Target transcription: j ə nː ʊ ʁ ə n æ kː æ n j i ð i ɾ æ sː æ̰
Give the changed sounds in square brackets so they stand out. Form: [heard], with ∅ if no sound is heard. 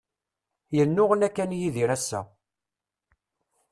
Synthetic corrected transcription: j ə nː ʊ ʁ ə n æ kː æ n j i ð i ɾ æ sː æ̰